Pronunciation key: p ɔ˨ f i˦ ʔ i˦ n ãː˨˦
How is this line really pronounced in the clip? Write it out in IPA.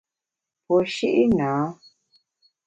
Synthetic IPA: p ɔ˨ ʃ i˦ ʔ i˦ n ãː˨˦